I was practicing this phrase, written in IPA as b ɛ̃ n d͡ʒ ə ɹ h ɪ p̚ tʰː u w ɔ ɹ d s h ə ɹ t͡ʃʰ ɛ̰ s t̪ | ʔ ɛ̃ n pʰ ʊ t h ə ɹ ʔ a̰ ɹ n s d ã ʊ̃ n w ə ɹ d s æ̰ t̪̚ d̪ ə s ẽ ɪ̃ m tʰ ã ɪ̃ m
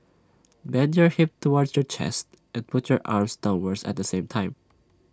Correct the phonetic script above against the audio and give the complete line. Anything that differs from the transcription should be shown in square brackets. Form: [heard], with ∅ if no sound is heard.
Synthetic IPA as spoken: b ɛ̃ n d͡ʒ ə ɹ h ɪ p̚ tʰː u w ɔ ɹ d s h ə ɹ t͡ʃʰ ɛ̰ s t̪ | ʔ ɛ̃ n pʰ ʊ t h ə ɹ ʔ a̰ ɹ [m] s d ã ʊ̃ n w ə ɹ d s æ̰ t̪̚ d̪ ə s ẽ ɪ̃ m tʰ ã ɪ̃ m

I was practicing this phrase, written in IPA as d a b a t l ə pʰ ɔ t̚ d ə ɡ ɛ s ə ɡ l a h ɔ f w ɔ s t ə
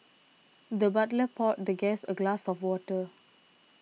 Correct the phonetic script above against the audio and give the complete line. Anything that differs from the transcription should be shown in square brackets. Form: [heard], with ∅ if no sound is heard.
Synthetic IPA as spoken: d [ə] b a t l ə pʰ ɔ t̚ d ə ɡ ɛ s ə ɡ l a [s] ɔ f w ɔ [∅] t ə

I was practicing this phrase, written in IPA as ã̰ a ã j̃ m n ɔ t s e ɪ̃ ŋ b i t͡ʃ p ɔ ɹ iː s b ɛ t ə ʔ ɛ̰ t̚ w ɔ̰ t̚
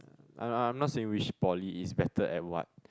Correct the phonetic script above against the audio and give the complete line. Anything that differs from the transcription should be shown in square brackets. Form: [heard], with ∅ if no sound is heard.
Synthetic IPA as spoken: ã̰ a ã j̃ m n ɔ t s e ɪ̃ ŋ [w] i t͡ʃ p ɔ [l] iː s b ɛ t ə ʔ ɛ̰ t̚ w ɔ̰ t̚

